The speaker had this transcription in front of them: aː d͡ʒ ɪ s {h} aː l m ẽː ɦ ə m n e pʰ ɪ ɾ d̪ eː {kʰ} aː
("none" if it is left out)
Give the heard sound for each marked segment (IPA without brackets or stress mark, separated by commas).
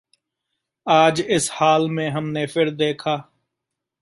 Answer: h, kʰ